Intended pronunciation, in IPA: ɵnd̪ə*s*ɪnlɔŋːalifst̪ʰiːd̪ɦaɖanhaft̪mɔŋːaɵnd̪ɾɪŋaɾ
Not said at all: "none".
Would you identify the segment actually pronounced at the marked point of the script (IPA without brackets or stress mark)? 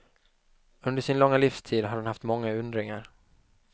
ʂ